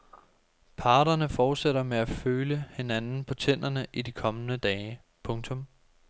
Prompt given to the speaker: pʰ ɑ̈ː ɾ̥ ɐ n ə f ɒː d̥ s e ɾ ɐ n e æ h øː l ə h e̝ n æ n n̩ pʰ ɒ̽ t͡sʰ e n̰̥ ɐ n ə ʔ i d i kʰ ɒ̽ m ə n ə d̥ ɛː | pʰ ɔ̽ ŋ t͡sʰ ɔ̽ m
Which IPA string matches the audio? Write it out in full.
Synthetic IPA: pʰ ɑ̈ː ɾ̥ ɐ n ə f ɒː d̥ s e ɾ ɐ m e æ f øː l ə h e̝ n æ n n̩ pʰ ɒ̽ t͡sʰ e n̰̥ ɐ n ə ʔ i d i kʰ ɒ̽ m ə n ə d̥ ɛː | pʰ ɔ̽ ŋ t͡sʰ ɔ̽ m

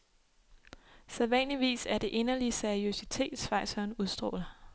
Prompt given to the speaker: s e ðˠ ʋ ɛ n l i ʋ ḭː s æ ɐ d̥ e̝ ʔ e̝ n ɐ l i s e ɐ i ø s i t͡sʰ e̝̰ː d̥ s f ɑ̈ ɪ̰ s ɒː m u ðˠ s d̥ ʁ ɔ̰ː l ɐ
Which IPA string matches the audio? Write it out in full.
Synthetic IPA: s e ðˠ ʋ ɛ n l i ʋ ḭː s æ ɐ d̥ e̝ ʔ e̝ n ɐ l i s e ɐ i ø s i t͡sʰ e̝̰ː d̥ s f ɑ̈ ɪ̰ s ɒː n u ðˠ s d̥ ʁ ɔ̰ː l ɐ

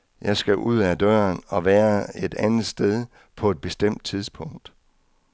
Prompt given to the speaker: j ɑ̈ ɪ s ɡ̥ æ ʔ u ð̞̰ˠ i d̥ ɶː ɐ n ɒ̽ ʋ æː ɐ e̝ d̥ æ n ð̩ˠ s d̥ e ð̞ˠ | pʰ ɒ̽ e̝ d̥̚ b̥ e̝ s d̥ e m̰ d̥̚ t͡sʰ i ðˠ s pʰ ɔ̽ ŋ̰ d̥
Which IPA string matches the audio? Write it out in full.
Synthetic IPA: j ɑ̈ ɪ s ɡ̥ æ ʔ u ð̞̰ˠ æ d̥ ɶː ɐ n ɒ̽ ʋ æː ɐ e̝ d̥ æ n ð̩ˠ s d̥ e ð̞ˠ | pʰ ɒ̽ e̝ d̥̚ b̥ e̝ s d̥ e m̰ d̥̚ t͡sʰ i ðˠ s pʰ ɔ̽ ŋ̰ d̥

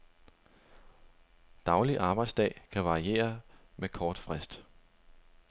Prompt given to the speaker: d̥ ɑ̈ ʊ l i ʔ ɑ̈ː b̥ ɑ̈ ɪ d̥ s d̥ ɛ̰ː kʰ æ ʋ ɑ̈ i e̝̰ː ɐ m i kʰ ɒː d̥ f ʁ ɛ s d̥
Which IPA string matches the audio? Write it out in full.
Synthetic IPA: d̥ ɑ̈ ʊ l i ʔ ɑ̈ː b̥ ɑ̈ ɪ d̥ s d̥ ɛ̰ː kʰ æ ʋ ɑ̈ i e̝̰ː ɐ m e kʰ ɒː d̥ f ʁ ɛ s d̥

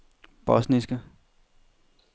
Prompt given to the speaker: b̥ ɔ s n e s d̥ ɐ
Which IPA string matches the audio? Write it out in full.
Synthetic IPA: b̥ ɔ s n i s ɡ̥ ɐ

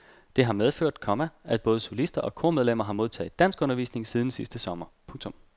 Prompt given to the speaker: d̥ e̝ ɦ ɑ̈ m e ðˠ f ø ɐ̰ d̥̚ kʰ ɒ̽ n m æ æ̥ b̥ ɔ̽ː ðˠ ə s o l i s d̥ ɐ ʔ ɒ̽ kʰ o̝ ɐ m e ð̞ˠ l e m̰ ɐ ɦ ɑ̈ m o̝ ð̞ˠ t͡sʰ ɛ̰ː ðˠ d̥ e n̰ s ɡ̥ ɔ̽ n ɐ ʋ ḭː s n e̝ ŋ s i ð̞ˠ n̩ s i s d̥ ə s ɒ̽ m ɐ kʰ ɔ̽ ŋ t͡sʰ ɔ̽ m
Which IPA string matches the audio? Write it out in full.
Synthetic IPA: d̥ e̝ ɦ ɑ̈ m e ðˠ f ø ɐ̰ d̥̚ kʰ ɒ̽ m æ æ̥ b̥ ɔ̽ː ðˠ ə s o l i s d̥ ɐ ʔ ɒ̽ kʰ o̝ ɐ m e ð̞ˠ l e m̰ ɐ ɦ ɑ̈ m o̝ ð̞ˠ t͡sʰ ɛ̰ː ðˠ d̥ æ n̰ s ɡ̥ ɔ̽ n ɐ ʋ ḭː s n e̝ ŋ s i ð̞ˠ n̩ s i s d̥ ə s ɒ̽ m ɐ pʰ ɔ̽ ŋ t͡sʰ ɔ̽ m

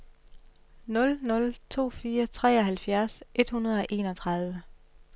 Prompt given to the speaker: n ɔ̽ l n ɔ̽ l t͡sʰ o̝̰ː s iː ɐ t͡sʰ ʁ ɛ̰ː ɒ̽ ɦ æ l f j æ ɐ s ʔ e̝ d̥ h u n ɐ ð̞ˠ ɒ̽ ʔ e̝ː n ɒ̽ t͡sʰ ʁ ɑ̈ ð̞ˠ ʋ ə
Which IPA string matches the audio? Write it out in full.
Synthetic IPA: n ɔ̽ l n ɔ̽ l t͡sʰ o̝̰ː f iː ɐ t͡sʰ ʁ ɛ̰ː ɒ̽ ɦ æ l f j æ ɐ s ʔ e̝ d̥ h u n ɐ ð̞ˠ ɒ̽ ʔ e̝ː n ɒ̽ t͡sʰ ʁ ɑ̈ ð̞ˠ ʋ ə

